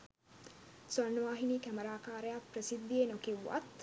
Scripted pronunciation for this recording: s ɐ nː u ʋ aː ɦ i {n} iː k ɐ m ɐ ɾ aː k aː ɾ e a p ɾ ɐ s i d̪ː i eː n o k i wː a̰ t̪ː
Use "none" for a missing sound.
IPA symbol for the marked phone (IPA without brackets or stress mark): n